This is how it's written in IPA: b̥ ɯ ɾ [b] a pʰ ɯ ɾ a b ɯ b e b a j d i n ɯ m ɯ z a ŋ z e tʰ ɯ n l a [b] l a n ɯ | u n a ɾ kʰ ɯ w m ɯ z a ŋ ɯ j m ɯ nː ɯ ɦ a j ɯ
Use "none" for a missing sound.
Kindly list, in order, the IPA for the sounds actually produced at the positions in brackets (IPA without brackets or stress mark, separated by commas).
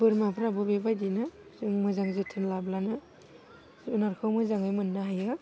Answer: m, b